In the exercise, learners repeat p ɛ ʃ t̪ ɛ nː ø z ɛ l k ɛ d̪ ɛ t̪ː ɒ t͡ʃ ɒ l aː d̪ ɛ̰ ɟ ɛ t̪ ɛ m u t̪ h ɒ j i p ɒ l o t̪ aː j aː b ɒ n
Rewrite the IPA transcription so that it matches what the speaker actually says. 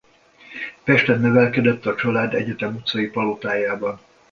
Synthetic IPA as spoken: p ɛ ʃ t̪ ɛ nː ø v ɛ l k ɛ d̪ ɛ t̪ː ɒ t͡ʃ ɒ l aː d̪ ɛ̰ ɟ ɛ t̪ ɛ m u t̪ s ɒ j i p ɒ l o t̪ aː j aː b ɒ n